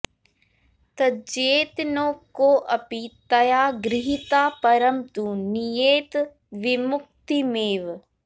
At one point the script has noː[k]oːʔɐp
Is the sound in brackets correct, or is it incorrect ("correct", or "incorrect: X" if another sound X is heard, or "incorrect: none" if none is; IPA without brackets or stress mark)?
correct